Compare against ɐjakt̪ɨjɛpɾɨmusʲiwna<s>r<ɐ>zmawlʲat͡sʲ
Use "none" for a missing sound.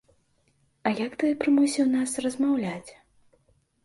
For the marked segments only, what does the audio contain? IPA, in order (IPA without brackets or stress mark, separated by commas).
s, ɐ